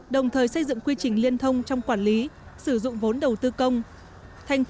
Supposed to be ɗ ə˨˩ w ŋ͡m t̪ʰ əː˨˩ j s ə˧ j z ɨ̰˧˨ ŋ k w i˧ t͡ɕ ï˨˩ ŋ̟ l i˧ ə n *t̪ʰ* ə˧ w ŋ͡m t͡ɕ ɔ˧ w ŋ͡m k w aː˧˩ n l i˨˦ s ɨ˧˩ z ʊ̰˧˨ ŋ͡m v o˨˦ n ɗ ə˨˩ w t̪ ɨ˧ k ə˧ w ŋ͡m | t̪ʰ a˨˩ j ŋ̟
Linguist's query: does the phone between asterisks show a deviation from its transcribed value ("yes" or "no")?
no